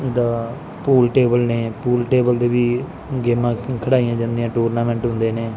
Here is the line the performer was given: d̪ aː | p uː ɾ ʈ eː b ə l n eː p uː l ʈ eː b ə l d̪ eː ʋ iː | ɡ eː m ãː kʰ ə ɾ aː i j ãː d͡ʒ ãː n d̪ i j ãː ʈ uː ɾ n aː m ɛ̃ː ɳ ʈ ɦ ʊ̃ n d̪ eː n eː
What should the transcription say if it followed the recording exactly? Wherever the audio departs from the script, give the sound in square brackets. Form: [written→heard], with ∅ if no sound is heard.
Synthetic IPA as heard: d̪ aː | p uː [ɾ→l] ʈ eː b ə l n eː p uː l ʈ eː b ə l d̪ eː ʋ iː | ɡ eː m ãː kʰ ə [ɾ→ɽ] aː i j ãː d͡ʒ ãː n d̪ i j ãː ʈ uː ɾ n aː m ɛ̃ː ɳ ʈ ɦ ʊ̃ n d̪ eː n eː

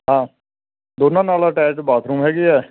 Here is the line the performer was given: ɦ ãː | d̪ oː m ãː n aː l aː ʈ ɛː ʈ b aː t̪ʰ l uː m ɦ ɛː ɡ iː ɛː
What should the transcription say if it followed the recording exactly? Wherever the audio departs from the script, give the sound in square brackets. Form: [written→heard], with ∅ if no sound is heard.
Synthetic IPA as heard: ɦ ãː | d̪ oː [m→n] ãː n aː l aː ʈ ɛː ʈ b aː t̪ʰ [l→ɾ] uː m ɦ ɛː ɡ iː ɛː

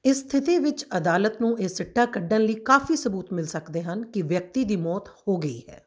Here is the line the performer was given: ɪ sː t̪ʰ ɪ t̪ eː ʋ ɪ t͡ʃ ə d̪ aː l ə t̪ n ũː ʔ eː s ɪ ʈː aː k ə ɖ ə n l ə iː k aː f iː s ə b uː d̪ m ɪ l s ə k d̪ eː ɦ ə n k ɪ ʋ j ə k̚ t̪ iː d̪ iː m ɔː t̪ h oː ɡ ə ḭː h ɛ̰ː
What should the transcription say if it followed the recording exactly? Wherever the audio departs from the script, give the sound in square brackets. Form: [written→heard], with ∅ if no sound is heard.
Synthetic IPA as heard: ɪ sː t̪ʰ ɪ t̪ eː ʋ ɪ t͡ʃ ə d̪ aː l ə t̪ n ũː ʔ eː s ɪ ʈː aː k ə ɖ ə n l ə iː k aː f iː s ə b uː [d̪→t̪] m ɪ l s ə k d̪ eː ɦ ə n k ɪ ʋ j ə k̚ t̪ iː d̪ iː m ɔː t̪ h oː ɡ ə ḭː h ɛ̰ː

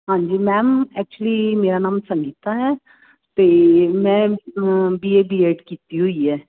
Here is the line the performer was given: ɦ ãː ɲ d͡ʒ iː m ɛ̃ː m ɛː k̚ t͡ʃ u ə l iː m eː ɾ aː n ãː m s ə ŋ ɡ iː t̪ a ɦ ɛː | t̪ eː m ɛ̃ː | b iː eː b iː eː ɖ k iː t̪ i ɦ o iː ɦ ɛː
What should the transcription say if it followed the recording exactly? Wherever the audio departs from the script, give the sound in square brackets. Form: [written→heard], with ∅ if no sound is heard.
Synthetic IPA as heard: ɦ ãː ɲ d͡ʒ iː m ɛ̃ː m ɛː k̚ t͡ʃ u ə l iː m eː ɾ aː n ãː m s ə ŋ ɡ iː t̪ a ɦ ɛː | t̪ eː m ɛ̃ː | b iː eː b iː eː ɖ k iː t̪ i ɦ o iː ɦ ɛː

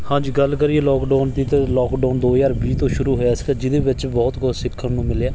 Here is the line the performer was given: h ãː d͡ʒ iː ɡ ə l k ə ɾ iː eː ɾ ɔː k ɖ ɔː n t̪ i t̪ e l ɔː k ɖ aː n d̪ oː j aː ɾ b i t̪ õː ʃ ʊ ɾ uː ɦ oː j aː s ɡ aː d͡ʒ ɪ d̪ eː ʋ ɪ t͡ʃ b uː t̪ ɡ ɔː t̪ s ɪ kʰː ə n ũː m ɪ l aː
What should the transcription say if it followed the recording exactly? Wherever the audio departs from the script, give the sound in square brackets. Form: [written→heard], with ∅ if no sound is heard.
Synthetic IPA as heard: h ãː d͡ʒ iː ɡ ə l k ə ɾ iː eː [ɾ→l] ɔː k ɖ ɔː n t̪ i t̪ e l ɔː k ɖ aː n d̪ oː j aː ɾ b [i→iː] t̪ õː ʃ ʊ ɾ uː ɦ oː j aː s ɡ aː d͡ʒ ɪ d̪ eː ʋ ɪ t͡ʃ b [uː→ɔː] t̪ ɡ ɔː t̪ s ɪ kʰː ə n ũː m ɪ l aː

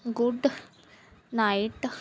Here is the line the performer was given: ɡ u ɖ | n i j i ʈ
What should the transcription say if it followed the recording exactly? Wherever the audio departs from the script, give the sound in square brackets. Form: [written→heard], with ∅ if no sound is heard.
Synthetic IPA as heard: ɡ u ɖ | n [i→a] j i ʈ

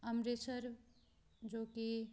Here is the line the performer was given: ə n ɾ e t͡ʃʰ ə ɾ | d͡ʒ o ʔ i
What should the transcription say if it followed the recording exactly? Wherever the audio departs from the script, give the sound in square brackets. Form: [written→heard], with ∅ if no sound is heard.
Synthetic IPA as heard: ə [n→m] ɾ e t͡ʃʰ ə ɾ | d͡ʒ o [ʔ→k] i

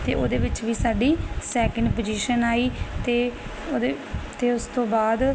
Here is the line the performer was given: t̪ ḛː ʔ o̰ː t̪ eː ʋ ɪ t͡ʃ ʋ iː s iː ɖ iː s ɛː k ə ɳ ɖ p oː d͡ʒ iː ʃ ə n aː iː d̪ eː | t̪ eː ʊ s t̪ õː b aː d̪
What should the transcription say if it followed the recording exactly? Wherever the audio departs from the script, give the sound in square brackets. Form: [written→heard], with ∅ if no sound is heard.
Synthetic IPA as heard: t̪ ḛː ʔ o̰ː [t̪→d̪] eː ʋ ɪ t͡ʃ ʋ iː s [iː→aː] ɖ iː s ɛː k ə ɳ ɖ p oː d͡ʒ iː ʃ ə n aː iː [d̪→t̪] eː | t̪ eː ʊ s t̪ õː b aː d̪

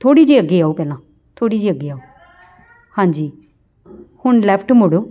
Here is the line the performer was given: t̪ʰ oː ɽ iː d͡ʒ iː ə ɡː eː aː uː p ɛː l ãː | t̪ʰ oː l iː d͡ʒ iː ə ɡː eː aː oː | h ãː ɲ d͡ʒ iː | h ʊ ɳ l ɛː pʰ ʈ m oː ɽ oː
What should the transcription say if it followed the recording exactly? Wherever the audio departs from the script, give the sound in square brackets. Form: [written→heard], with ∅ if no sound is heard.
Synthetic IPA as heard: t̪ʰ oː ɽ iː d͡ʒ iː ə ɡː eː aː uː p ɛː l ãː | t̪ʰ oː [l→ɽ] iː d͡ʒ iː ə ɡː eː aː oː | h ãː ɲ d͡ʒ iː | h ʊ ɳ l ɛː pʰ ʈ m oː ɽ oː

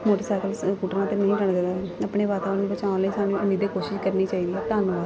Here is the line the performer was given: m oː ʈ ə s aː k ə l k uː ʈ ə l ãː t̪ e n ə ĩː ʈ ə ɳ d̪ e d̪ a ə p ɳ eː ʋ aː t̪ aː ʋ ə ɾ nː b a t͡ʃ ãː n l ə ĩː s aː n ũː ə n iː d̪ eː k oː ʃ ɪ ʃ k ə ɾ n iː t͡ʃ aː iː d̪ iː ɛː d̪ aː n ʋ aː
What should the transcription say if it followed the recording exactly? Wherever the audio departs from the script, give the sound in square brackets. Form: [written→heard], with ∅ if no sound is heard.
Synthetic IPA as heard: m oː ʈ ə s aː k ə l k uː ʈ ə [l→ɾ] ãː t̪ e n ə ĩː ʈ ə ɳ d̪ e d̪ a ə p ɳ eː ʋ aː t̪ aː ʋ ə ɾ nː b [a→ə] t͡ʃ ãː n l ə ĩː s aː n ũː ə n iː d̪ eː k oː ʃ ɪ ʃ k ə ɾ n iː t͡ʃ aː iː d̪ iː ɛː [d̪→t̪] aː n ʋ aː

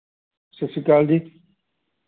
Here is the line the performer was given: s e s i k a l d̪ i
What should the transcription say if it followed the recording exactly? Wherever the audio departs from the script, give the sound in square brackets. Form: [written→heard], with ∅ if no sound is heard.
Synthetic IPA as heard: s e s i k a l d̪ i

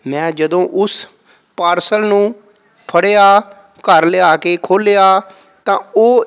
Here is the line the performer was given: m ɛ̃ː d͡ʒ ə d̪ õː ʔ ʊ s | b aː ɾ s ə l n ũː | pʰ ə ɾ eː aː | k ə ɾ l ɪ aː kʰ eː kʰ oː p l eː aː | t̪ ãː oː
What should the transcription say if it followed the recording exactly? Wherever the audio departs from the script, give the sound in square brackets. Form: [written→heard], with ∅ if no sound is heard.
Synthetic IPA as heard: m ɛ̃ː d͡ʒ ə d̪ õː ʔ ʊ s | [b→p] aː ɾ s ə l n ũː | pʰ ə [ɾ→ɽ] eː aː | k ə ɾ l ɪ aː [kʰ→k] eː kʰ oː [p→∅] l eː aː | t̪ ãː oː

